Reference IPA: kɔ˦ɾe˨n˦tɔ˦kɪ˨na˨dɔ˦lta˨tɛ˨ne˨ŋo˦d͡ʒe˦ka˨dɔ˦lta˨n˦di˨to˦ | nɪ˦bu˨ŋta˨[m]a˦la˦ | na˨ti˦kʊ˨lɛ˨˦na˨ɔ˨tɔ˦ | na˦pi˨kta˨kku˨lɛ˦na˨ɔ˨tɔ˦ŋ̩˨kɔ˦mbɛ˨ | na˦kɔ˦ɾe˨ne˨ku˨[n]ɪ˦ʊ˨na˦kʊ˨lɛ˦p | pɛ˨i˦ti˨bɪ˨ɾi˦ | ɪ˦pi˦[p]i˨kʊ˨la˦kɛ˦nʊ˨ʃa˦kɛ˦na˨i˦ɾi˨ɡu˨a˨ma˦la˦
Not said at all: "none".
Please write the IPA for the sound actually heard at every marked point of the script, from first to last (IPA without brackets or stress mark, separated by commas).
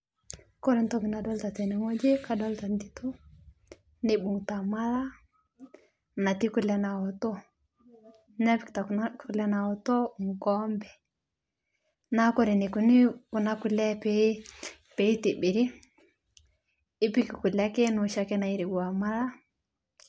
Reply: m, n, k